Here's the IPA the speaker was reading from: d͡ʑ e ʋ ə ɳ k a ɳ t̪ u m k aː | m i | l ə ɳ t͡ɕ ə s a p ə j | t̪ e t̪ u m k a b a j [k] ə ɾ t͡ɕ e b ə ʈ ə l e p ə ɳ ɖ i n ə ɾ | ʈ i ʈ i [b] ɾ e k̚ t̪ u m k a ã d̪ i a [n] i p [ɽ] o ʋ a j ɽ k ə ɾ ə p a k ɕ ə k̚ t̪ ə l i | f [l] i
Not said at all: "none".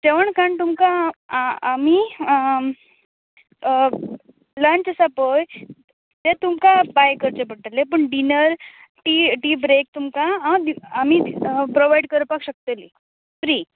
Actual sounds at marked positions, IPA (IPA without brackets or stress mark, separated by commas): k, b, m, ɾ, ɾ